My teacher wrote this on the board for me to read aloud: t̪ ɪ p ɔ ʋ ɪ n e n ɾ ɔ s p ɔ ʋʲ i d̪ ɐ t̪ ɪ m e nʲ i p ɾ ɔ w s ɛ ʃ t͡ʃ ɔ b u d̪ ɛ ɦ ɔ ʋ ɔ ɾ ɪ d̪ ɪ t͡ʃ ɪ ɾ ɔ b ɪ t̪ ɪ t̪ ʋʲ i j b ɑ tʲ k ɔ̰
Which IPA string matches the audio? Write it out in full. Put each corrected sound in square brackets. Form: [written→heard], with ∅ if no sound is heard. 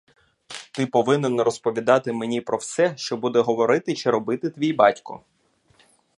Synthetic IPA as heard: t̪ ɪ p ɔ ʋ ɪ n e n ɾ ɔ s p ɔ ʋʲ i d̪ [ɐ→ɑ] t̪ ɪ m e nʲ i p ɾ ɔ w s ɛ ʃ t͡ʃ ɔ b u d̪ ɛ ɦ ɔ ʋ ɔ ɾ ɪ [d̪→t̪] ɪ t͡ʃ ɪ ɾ ɔ b ɪ t̪ ɪ t̪ ʋʲ i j b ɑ tʲ k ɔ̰